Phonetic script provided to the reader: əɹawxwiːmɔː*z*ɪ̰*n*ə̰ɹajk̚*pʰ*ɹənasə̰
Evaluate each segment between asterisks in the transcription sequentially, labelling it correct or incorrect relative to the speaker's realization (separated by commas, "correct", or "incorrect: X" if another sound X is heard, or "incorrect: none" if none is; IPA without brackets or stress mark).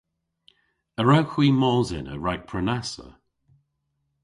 correct, correct, correct